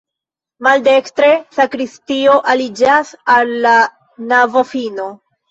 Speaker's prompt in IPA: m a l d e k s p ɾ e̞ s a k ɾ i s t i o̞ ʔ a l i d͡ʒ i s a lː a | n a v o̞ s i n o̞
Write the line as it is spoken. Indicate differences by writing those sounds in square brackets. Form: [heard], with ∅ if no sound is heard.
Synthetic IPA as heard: m a l d e k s [t] ɾ e̞ s a k ɾ i s t i o̞ ʔ a l i d͡ʒ [a] s a lː a | n a v o̞ [f] i n o̞